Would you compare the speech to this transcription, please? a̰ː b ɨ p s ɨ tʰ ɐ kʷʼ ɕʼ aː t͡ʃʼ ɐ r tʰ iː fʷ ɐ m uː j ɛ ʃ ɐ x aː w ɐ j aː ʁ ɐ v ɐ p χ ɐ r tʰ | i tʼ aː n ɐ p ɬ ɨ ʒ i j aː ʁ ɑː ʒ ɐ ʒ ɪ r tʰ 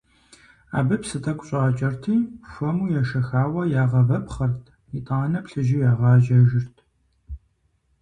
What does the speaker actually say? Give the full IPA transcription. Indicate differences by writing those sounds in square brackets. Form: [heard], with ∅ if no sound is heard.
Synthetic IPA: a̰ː b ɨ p s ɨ tʰ ɐ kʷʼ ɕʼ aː t͡ʃʼ ɐ r tʰ iː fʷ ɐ m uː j ɛ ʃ ɐ x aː w ɐ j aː ʁ ɐ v ɐ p χ ɐ r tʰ | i tʼ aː n ɐ p ɬ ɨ ʒ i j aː ʁ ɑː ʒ ɐ ʒ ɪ r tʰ